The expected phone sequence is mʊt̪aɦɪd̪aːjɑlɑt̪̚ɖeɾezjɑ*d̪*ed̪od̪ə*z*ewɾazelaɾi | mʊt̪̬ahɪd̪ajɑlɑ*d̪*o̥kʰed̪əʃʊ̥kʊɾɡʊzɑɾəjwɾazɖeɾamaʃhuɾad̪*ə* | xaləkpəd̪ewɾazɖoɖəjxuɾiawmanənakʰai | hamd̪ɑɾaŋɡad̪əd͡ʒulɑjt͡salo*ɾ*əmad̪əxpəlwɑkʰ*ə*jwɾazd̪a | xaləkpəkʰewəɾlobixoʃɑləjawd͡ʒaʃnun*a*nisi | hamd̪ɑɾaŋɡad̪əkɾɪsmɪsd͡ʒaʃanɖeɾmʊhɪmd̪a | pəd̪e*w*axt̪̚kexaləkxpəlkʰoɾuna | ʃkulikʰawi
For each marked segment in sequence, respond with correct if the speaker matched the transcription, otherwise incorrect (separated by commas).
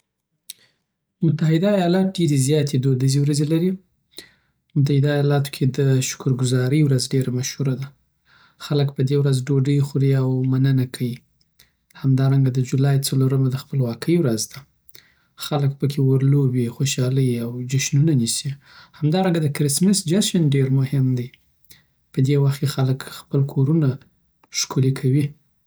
incorrect, correct, incorrect, incorrect, correct, correct, correct, correct